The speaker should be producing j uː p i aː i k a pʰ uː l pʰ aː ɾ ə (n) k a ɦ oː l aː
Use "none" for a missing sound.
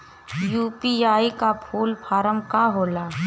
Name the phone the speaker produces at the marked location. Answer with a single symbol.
m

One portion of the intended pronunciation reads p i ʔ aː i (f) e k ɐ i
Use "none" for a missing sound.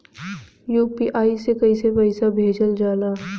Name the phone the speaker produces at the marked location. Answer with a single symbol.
s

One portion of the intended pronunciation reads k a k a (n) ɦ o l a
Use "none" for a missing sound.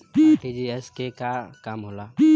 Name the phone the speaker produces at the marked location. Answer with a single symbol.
m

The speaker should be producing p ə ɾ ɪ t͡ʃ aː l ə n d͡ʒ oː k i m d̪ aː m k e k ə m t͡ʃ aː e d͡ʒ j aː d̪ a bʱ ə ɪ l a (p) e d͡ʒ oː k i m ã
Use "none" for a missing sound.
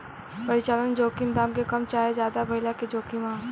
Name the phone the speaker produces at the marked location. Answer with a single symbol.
k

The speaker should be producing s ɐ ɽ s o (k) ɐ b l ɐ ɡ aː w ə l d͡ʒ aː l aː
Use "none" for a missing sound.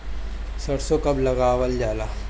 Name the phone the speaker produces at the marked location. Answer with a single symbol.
k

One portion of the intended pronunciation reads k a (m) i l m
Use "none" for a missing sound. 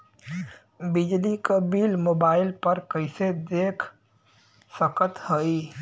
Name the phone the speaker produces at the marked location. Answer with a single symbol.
b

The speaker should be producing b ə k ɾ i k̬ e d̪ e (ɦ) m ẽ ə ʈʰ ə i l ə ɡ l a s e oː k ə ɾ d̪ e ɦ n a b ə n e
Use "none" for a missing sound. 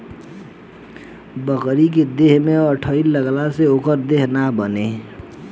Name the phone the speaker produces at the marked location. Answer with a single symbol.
ɦ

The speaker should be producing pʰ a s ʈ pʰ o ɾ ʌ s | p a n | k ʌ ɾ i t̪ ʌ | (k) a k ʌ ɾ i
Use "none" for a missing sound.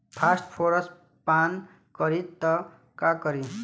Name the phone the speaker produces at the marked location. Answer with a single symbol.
k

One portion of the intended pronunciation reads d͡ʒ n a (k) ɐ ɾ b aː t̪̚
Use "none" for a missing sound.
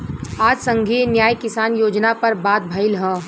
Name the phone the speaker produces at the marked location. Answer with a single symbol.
p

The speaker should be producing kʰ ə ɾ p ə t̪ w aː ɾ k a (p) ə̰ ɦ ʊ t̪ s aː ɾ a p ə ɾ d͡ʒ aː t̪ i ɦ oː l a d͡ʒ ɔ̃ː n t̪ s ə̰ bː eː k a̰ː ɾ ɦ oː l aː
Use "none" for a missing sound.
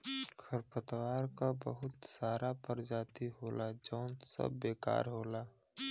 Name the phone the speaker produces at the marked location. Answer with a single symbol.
b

